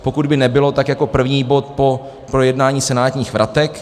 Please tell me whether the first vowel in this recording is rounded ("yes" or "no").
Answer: yes